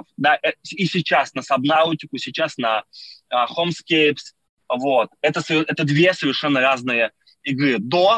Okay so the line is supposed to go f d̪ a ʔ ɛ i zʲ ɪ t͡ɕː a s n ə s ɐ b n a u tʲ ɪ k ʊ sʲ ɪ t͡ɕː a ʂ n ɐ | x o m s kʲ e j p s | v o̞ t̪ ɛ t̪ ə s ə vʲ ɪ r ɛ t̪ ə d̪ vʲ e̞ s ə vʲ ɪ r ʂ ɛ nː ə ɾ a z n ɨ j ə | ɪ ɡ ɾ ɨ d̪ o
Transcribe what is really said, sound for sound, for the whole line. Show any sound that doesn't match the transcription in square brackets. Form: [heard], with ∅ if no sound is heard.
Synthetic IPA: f d̪ a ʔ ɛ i [sʲ] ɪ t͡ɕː a s n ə s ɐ b n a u tʲ ɪ k ʊ sʲ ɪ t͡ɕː a [s] n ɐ | x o m s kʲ e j p s | v o̞ t̪ ɛ t̪ ə s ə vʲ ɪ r ɛ t̪ ə d̪ vʲ e̞ s ə vʲ ɪ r ʂ ɛ nː ə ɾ a z n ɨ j ə | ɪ ɡ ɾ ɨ d̪ o